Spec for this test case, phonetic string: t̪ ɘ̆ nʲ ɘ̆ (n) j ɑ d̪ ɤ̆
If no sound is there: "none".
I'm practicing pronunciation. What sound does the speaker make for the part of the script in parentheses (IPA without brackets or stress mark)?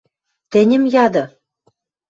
m